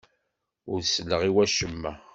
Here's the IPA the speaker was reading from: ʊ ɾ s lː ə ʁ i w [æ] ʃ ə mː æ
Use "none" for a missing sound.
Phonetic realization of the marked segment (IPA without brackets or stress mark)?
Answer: æ